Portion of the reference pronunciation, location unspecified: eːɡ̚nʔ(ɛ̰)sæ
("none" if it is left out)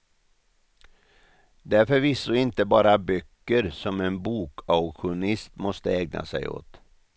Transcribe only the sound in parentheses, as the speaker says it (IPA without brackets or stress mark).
a̰